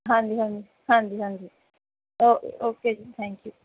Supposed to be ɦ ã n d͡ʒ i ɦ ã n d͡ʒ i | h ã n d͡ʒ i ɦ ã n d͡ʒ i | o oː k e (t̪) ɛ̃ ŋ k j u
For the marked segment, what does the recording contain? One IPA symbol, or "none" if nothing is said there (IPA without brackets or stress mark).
t̪ʰ